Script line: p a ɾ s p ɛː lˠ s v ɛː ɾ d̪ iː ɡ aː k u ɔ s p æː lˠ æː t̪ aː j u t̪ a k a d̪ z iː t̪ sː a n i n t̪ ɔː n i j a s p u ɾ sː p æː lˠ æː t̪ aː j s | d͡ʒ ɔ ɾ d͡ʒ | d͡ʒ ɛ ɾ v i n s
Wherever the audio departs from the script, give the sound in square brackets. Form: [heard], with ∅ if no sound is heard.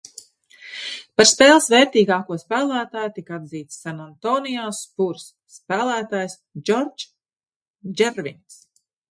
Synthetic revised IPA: p a ɾ s p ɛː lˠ s v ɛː ɾ [t̪] iː ɡ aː k u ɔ s p æː lˠ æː t̪ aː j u t̪ [i] k a d̪ z iː t̪ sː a n [a] n t̪ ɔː n i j a s p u ɾ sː p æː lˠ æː t̪ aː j s | d͡ʒ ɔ ɾ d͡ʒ | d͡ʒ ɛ ɾ v i n s